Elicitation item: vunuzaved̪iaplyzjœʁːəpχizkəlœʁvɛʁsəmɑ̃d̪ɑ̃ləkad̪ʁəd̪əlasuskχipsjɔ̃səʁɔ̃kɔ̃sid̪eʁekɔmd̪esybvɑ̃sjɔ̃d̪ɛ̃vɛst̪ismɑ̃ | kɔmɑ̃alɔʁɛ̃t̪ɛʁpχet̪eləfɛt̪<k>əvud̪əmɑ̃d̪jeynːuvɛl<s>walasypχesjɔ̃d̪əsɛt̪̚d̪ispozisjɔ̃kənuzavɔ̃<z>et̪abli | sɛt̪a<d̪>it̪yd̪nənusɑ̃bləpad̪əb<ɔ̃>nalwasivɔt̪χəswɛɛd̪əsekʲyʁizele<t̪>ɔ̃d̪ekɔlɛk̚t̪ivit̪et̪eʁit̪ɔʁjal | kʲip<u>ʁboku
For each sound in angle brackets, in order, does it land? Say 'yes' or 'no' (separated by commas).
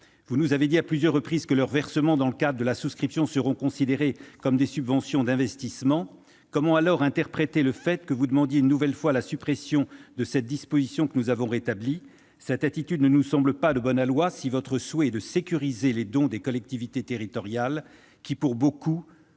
yes, no, no, no, no, no, yes